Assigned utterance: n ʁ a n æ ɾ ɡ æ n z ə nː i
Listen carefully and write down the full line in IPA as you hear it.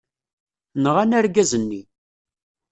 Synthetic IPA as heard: n ʁ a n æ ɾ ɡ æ z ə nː i